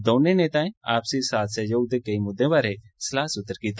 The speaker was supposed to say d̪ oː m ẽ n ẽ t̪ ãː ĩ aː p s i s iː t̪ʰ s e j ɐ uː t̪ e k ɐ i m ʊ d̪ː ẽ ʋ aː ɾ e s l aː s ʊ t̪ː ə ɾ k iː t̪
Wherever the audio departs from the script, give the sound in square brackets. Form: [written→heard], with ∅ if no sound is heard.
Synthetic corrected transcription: d̪ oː [m→n] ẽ n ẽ t̪ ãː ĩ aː p s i s [iː→aː] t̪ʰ s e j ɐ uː [t̪→d̪] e k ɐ i m ʊ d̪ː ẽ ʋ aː ɾ e s l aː s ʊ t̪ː ə ɾ k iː t̪